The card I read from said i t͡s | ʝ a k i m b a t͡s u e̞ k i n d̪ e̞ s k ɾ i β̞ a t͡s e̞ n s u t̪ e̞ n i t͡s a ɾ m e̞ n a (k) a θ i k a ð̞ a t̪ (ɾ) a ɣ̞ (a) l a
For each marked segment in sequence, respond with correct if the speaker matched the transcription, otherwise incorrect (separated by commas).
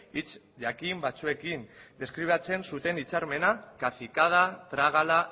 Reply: correct, correct, correct